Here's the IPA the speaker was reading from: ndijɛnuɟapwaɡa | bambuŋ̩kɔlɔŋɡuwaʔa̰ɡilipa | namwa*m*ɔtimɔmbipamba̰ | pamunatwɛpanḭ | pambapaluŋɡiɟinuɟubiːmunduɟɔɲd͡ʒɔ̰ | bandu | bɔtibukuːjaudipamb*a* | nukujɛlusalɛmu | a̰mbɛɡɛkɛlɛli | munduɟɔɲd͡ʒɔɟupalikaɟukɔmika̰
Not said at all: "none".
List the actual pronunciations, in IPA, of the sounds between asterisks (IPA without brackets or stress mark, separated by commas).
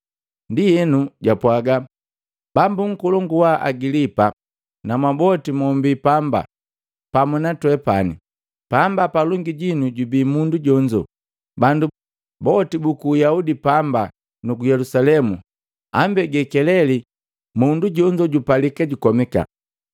b, a